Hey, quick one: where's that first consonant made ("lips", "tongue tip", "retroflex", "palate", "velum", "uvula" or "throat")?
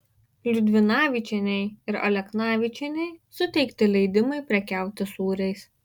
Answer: tongue tip